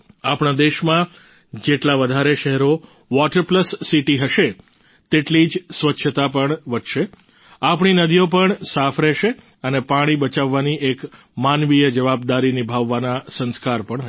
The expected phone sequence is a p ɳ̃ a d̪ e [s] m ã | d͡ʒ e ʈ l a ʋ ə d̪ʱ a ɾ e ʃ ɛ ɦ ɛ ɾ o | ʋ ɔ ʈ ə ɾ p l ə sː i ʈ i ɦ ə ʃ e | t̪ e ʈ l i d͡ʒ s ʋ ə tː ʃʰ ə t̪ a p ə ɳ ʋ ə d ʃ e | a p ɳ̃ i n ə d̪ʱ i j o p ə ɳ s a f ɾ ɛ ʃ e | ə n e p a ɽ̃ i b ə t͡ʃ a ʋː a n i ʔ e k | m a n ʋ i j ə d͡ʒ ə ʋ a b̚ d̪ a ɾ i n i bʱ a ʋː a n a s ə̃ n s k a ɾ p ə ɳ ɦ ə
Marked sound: incorrect: ʃ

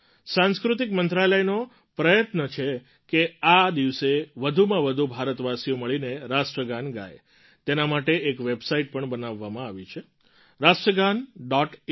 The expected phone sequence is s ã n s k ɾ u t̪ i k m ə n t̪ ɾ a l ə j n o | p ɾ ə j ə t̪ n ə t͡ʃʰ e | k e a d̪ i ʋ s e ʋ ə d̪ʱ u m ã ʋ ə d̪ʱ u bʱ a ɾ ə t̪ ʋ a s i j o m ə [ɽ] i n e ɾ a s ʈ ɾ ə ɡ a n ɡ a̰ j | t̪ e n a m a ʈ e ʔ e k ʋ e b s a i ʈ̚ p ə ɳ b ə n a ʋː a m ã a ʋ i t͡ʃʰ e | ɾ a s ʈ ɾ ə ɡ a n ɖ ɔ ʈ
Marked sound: incorrect: ɭ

